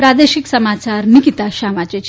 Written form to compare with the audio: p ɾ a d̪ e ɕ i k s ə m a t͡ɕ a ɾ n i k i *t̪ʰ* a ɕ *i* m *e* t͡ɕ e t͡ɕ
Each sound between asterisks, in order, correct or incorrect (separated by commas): incorrect, incorrect, incorrect